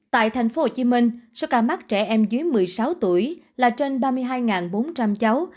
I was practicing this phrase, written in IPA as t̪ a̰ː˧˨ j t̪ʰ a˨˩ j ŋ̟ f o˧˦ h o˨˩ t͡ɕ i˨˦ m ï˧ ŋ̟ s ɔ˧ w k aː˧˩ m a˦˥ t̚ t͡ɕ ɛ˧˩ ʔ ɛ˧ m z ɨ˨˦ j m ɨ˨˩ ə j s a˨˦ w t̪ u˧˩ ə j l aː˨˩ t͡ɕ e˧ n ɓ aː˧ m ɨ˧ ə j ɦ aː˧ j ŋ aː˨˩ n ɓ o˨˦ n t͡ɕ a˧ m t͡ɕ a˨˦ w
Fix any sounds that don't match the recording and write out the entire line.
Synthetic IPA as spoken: t̪ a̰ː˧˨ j t̪ʰ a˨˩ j ŋ̟ f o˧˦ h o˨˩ t͡ɕ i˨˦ m ï˧ ŋ̟ s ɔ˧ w k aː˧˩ m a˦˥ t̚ t͡ɕ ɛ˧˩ ʔ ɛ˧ m z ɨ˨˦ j m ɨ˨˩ ə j s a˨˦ w t̪ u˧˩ ə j l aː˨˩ t͡ɕ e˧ n ɓ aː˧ m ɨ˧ ə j ɦ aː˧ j ŋ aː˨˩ n ɓ o˨˦ n t͡ɕ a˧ m t͡ɕ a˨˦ w